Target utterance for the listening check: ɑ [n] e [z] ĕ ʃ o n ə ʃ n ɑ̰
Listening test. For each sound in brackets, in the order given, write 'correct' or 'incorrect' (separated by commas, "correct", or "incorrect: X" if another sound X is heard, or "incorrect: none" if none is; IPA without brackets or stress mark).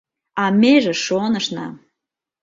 incorrect: m, incorrect: ʒ